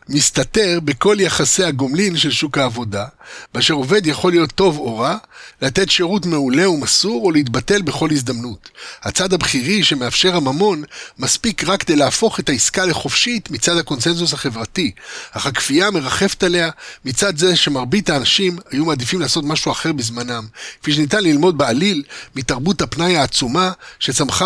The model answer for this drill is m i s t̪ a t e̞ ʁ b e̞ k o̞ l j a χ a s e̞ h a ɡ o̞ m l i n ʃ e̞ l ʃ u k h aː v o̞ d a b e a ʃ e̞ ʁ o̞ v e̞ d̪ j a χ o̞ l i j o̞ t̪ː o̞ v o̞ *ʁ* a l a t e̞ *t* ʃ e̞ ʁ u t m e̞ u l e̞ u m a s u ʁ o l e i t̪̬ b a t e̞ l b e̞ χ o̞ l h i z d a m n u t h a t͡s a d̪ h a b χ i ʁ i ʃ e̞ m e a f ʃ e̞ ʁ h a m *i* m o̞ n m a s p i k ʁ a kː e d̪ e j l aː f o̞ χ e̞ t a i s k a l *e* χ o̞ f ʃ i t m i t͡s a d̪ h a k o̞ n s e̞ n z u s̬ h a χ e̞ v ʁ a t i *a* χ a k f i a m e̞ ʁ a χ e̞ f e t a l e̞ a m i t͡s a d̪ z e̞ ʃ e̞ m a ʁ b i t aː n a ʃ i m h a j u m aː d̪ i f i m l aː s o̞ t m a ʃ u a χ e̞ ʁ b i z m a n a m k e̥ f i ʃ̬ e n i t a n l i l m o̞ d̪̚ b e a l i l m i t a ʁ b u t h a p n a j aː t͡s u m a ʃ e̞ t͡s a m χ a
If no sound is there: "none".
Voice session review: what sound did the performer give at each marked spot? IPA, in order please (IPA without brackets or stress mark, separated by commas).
ʁ, t, a, e, a